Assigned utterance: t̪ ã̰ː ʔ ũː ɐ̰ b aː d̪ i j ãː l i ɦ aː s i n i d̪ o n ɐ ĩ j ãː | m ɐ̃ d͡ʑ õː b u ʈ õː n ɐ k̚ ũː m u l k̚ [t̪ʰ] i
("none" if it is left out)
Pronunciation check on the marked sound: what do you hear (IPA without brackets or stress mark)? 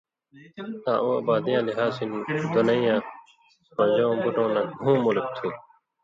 t̪ʰ